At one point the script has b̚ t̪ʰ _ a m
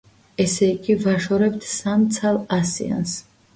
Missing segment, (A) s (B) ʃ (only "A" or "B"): A